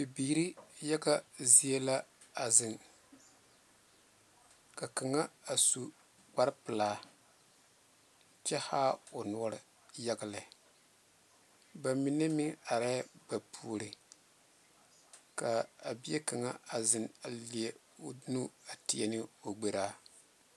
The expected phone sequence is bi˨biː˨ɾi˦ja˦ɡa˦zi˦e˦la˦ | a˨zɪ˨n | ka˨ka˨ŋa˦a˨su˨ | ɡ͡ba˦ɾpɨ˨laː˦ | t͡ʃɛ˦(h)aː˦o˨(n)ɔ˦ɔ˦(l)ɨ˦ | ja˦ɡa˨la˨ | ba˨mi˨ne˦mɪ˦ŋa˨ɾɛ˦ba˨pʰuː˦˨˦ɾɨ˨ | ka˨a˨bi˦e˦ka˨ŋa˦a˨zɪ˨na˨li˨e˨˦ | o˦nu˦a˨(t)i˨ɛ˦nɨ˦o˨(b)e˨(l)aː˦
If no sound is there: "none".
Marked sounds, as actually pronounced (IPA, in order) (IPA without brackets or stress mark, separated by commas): h, n, ɾ, t, ɡ͡b, ɾ